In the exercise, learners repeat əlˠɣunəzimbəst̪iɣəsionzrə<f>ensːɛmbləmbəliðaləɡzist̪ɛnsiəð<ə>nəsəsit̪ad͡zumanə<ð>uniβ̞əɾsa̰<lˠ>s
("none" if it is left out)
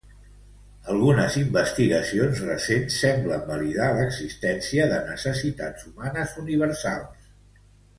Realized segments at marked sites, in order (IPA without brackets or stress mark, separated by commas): s, ə, z, lˠ